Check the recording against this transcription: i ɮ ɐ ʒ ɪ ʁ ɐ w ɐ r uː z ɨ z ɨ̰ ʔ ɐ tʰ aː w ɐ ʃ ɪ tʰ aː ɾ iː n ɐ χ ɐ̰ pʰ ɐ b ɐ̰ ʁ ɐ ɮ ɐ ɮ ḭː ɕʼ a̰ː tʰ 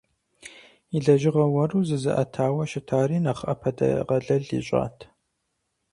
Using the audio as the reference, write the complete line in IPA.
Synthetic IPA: i ɮ ɐ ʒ ɪ ʁ ɐ w ɐ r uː z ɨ z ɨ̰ ʔ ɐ tʰ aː w ɐ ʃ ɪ tʰ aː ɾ iː n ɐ χ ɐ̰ pʰ ɐ d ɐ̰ ʁ ɐ ɮ ɐ ɮ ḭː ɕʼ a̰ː tʰ